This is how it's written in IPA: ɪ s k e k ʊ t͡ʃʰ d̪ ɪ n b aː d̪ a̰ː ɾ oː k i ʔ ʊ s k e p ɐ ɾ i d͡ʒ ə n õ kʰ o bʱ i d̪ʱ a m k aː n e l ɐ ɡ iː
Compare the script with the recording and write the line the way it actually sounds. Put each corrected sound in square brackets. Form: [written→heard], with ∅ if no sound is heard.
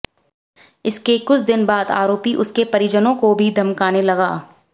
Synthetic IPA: ɪ s k e k ʊ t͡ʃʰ d̪ ɪ n b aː d̪ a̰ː ɾ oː [k→p] i ʔ ʊ s k e p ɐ ɾ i d͡ʒ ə n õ [kʰ→k] o bʱ i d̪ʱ [a→ɐ] m k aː n e l ɐ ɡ [iː→aː]